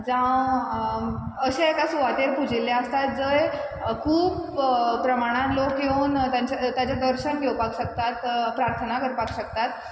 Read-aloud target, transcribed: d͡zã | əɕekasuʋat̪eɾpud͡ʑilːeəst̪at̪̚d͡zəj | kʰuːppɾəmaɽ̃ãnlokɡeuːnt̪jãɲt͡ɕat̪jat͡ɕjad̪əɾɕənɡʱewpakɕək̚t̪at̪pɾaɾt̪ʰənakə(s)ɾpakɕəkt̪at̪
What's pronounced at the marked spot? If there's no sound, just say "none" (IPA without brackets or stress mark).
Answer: none